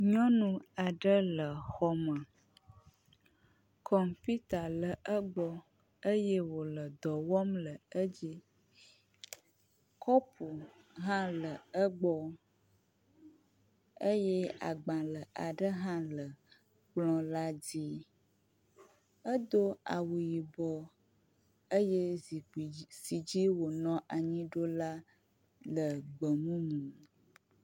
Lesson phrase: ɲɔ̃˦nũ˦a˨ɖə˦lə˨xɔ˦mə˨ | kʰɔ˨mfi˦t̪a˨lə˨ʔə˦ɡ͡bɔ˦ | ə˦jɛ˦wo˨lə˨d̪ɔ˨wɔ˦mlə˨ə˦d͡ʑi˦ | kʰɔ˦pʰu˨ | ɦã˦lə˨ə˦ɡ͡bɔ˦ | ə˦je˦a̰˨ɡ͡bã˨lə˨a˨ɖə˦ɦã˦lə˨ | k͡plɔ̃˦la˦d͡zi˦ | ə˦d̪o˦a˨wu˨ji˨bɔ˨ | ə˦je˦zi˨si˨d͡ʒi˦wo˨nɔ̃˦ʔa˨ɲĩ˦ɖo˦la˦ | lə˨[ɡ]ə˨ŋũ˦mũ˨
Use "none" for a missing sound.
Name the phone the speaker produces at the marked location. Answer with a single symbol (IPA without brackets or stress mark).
ɡ͡b